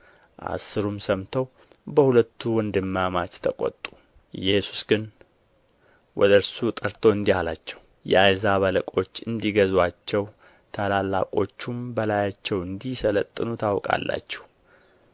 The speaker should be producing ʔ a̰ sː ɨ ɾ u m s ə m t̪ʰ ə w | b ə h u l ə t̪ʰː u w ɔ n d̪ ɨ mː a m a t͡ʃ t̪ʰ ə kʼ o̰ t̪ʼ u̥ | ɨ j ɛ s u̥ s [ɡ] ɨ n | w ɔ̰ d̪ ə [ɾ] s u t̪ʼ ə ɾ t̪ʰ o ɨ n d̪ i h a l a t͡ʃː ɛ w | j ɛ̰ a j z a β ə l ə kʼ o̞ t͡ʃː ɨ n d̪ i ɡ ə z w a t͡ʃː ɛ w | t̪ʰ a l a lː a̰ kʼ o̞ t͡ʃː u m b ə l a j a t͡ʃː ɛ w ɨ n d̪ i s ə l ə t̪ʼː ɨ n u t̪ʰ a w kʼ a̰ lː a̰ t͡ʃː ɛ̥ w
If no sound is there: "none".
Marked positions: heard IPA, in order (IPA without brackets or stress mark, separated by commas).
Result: ɡ, ɾ